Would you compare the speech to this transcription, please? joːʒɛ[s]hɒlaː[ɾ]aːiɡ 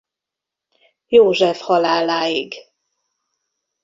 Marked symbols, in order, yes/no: no, no

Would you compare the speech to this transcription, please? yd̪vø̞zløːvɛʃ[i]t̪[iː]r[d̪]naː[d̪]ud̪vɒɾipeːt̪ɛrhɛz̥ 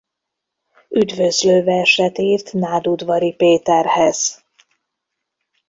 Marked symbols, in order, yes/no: no, yes, no, yes

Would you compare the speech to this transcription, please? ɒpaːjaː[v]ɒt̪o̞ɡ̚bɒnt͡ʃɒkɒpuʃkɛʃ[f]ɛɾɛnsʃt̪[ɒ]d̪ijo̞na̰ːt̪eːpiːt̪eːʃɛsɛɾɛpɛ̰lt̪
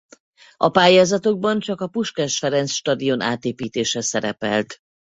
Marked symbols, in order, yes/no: no, yes, yes

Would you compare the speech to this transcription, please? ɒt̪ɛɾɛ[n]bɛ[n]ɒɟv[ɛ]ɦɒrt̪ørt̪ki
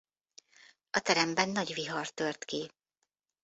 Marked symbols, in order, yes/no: no, no, no

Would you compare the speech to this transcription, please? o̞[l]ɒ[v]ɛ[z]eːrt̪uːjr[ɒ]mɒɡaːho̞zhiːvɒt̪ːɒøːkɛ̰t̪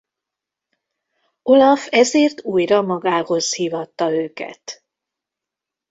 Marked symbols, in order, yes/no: yes, no, yes, yes

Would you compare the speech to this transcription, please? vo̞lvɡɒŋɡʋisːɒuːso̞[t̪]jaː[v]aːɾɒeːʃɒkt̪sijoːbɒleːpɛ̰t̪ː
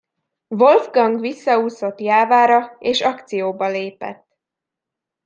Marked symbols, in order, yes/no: yes, yes

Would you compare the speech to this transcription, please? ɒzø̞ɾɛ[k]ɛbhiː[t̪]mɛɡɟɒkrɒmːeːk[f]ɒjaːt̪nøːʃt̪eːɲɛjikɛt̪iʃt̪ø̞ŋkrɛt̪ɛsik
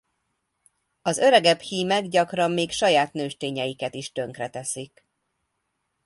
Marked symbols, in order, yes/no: no, no, no

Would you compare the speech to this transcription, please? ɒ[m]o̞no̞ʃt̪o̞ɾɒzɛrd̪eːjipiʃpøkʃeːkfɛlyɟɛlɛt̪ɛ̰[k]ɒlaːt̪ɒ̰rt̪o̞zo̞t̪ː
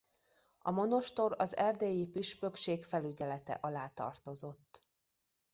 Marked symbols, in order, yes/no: yes, no

